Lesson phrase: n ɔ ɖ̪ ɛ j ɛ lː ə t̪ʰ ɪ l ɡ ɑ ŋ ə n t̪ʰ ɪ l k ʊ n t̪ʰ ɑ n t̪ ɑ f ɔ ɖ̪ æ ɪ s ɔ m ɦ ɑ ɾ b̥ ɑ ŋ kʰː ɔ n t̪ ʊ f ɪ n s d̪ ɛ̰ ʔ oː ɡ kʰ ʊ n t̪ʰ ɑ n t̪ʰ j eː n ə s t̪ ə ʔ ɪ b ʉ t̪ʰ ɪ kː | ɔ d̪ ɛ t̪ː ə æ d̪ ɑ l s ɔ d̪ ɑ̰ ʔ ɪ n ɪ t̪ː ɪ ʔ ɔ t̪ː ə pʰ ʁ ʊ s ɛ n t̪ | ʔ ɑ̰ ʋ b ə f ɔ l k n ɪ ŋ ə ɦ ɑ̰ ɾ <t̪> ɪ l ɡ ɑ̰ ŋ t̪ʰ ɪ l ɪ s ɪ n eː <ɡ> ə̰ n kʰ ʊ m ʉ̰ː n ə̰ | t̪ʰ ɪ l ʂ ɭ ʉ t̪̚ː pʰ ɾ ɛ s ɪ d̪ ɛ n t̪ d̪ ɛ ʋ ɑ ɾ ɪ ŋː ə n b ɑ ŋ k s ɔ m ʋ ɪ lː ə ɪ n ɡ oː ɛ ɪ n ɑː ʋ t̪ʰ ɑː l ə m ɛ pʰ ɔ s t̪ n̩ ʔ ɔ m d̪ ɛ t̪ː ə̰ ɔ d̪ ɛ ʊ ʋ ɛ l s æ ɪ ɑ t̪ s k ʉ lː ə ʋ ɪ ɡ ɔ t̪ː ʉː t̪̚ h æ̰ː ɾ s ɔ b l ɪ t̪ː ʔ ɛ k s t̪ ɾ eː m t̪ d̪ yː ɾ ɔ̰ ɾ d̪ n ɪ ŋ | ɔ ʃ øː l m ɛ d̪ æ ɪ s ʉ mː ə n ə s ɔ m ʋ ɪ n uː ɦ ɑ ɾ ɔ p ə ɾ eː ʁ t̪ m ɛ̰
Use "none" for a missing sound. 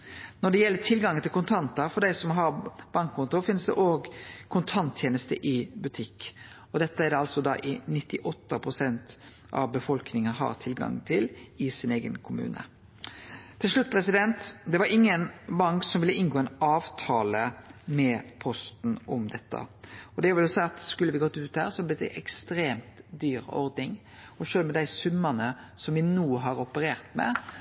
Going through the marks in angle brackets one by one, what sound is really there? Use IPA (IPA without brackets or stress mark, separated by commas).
t̪ʰ, ɡ